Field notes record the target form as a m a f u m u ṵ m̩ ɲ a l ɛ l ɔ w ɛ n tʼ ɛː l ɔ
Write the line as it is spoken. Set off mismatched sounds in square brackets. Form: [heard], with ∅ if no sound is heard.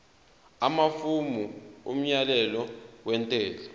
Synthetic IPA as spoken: a m a f u m u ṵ m̩ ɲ a l ɛ l ɔ w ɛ n tʼ ɛː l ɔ